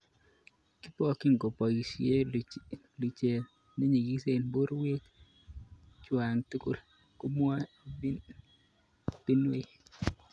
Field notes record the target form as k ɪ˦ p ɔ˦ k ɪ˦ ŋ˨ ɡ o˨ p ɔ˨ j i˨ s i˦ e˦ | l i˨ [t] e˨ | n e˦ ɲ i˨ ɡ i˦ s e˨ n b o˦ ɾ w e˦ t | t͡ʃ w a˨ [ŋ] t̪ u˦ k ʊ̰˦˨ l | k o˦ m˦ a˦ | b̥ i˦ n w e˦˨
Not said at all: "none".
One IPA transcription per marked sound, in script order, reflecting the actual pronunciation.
t͡ʃ, ŋ

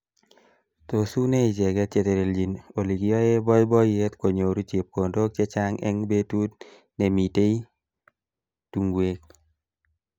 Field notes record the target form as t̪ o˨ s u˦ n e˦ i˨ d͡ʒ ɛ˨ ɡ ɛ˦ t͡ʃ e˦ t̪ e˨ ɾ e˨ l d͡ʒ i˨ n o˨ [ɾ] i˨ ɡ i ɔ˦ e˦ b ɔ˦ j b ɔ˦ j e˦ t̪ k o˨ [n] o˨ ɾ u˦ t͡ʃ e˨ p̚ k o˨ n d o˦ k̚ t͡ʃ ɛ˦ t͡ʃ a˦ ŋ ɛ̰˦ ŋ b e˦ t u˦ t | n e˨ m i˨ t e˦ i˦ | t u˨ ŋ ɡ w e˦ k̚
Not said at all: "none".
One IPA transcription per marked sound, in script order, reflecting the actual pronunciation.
l, ɲ

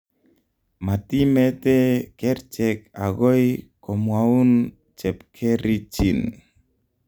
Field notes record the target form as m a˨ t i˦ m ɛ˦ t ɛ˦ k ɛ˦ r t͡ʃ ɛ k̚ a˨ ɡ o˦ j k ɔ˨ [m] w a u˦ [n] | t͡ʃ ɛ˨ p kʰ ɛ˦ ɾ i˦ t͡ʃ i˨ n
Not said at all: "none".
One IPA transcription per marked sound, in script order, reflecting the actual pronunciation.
m, n

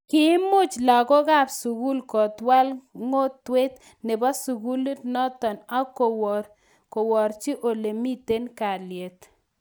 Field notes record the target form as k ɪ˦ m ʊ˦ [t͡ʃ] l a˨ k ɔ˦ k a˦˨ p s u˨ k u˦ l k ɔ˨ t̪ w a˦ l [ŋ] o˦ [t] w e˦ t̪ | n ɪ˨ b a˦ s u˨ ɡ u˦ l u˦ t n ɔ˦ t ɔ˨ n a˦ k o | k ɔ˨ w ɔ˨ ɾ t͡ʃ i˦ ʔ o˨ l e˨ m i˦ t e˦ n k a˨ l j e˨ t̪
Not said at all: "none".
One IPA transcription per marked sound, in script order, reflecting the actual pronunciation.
t͡ʃ, ŋ, t

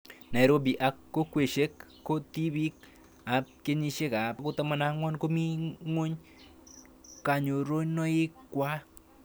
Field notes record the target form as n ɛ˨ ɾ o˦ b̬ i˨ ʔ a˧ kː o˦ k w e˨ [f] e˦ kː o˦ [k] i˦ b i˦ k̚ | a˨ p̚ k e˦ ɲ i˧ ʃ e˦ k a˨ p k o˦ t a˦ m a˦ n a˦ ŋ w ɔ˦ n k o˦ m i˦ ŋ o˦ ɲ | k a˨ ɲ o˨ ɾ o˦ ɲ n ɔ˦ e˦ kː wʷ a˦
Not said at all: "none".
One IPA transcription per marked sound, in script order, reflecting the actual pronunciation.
ʃ, t

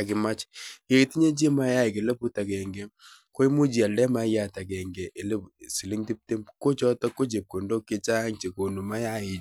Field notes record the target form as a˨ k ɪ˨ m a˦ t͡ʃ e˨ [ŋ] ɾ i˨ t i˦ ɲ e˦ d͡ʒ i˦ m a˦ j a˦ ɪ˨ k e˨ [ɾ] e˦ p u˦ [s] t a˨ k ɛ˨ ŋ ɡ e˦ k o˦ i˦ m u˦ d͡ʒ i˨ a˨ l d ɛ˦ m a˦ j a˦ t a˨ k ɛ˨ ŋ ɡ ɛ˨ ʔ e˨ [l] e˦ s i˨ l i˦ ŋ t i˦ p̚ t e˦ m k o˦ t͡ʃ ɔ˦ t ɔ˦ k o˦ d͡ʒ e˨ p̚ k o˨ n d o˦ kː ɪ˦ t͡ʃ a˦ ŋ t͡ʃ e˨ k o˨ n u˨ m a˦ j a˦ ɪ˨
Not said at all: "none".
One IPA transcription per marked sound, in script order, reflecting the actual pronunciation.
none, l, none, l

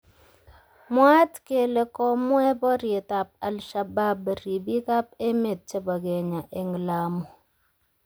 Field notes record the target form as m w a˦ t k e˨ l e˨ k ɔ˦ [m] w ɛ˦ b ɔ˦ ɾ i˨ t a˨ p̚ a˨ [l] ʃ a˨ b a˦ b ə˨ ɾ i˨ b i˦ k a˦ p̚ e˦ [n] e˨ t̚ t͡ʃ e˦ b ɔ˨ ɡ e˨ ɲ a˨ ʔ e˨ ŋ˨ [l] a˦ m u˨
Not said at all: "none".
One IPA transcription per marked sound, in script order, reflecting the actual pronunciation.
m, l, m, l

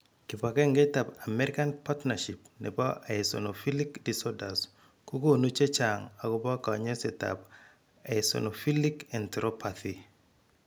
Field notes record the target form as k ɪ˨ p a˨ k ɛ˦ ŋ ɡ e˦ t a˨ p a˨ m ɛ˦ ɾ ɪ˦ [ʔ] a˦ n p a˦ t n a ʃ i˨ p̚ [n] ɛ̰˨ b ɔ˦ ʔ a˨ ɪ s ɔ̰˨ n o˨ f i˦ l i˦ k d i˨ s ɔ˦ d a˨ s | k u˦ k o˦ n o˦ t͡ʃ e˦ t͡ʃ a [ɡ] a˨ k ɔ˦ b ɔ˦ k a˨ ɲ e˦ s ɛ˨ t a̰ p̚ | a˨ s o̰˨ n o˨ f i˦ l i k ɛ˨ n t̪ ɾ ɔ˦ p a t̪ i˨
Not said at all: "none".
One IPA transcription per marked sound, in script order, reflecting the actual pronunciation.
k, n, ŋ

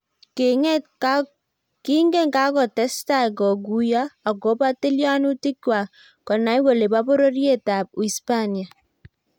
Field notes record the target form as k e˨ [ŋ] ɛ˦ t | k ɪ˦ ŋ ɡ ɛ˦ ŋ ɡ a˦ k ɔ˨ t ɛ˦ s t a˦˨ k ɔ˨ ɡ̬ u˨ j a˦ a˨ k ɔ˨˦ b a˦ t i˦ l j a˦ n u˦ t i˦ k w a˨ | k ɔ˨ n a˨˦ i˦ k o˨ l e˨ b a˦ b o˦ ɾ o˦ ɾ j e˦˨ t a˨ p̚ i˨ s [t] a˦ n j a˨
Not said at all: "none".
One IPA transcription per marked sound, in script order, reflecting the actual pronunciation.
ŋ, p

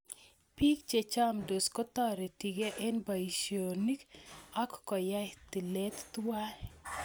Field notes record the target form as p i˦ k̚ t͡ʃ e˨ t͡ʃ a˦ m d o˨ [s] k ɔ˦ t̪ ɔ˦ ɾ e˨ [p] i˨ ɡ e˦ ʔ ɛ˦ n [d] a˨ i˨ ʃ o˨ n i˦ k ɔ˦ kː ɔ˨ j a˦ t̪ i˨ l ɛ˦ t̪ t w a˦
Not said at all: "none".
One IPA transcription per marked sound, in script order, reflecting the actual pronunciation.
s, t, b

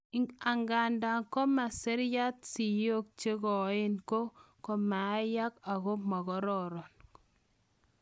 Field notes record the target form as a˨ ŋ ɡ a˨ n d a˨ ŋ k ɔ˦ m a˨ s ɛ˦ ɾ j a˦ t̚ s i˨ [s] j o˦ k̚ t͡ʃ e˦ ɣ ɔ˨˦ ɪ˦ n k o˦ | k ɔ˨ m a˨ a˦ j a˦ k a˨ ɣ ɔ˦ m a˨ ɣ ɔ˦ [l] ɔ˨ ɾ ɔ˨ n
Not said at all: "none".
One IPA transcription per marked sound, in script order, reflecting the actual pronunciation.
none, ɾ

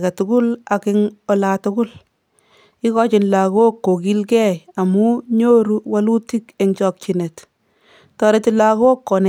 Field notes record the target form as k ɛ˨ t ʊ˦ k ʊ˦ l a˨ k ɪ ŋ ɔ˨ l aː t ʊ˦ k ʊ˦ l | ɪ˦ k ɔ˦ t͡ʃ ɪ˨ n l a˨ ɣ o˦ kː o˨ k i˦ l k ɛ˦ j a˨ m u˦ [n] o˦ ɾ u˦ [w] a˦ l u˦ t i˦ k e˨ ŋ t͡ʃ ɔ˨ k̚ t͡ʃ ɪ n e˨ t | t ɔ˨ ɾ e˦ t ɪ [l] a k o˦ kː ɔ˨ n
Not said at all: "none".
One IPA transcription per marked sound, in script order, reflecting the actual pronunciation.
ɲ, w, l

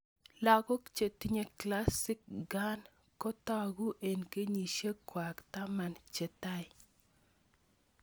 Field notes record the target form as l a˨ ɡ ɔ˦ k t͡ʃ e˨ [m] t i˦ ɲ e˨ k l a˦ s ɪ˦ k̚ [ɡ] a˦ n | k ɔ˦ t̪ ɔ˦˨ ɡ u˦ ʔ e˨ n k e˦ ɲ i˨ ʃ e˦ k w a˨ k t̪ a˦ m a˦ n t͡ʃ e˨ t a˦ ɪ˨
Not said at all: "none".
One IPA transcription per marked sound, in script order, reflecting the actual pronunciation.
none, ɡ

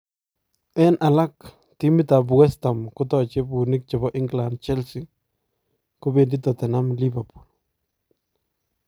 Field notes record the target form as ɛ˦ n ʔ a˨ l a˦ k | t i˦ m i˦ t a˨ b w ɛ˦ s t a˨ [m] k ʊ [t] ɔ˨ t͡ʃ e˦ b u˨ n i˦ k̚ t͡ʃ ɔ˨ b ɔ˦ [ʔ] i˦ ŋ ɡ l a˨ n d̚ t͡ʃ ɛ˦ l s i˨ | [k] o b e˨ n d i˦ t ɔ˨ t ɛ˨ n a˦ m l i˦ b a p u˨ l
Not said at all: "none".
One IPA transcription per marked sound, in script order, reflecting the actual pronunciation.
m, t, ʔ, k

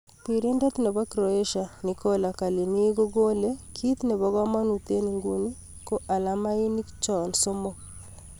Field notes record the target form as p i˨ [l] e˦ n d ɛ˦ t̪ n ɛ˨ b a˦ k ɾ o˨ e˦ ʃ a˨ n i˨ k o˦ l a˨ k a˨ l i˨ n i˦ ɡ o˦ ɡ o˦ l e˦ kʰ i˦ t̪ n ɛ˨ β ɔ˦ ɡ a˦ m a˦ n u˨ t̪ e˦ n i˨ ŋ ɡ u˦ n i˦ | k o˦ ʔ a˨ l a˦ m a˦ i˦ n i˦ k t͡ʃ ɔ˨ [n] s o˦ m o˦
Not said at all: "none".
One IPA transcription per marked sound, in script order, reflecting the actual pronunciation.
ɾ, n

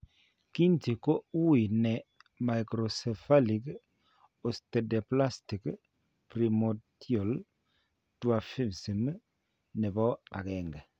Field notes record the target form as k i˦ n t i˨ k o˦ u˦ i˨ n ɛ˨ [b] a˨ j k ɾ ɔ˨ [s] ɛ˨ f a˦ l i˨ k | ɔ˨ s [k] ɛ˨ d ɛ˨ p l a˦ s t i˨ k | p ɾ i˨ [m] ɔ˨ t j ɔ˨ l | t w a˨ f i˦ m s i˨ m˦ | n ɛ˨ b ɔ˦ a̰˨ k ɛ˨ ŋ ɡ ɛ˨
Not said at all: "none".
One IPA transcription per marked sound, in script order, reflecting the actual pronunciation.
m, s, t, m

